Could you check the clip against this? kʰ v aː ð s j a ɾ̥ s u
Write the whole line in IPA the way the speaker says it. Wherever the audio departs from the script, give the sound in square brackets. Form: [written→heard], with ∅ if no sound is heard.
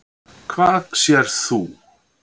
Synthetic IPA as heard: kʰ v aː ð s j [a→ɛ] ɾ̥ [s→θ] u